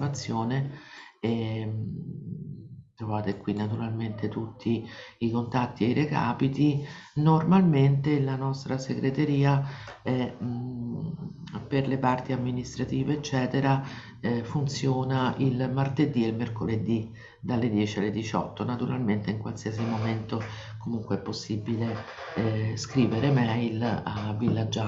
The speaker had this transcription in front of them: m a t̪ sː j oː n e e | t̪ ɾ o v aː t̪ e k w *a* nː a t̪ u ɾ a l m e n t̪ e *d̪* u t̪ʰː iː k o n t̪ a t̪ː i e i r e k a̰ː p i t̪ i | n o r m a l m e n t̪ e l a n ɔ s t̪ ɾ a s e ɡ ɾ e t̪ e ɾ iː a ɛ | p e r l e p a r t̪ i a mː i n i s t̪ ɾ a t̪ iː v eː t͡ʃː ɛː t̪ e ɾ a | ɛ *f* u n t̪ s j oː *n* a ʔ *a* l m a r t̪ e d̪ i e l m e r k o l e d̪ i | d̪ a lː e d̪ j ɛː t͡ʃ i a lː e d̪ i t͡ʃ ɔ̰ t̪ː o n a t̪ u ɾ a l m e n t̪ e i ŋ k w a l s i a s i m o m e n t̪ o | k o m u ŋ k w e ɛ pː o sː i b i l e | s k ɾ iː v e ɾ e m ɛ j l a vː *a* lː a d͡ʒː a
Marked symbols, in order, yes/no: no, no, yes, yes, no, no

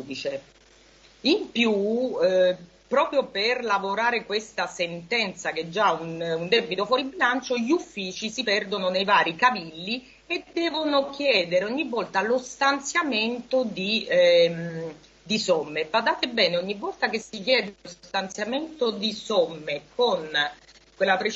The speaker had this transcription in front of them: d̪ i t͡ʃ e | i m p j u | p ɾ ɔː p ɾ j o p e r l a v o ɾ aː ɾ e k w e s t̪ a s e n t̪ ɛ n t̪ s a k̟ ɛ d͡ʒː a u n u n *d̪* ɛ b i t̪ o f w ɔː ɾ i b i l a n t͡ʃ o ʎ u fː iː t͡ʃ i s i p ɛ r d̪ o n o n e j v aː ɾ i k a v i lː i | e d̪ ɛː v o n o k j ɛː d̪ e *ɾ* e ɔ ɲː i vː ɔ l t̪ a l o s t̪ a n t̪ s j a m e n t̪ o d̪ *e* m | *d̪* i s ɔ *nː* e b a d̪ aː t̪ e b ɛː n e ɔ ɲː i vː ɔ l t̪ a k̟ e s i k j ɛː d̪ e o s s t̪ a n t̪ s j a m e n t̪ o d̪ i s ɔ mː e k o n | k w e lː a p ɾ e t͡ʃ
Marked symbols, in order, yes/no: yes, yes, no, yes, no

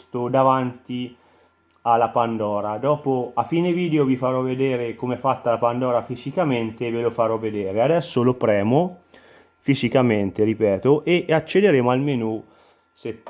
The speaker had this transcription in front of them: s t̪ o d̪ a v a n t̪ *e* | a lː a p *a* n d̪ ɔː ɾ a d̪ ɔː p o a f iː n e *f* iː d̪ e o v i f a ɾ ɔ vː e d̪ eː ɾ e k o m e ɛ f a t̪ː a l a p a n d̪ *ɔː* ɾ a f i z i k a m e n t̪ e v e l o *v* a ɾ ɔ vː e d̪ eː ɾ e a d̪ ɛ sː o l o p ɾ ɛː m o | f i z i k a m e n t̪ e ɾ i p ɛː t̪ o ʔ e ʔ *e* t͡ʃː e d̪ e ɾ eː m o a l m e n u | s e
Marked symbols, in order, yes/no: no, yes, no, yes, no, no

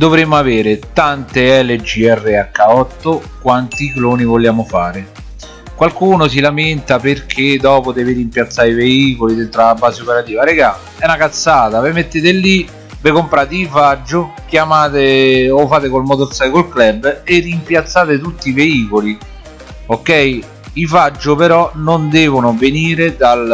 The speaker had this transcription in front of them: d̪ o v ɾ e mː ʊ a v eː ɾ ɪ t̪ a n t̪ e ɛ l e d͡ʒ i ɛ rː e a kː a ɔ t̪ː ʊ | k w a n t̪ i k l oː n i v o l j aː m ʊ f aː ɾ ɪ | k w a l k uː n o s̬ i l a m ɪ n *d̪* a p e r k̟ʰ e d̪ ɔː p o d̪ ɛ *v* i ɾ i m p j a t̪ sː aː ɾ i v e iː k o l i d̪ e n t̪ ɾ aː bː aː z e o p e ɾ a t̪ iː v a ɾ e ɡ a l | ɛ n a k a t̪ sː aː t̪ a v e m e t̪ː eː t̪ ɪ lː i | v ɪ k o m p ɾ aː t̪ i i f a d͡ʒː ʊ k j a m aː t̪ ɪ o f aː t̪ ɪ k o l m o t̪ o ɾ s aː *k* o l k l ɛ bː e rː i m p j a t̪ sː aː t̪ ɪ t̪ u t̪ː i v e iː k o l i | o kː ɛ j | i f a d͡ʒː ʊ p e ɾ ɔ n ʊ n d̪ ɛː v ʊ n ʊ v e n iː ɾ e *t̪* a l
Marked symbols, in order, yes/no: no, yes, yes, no

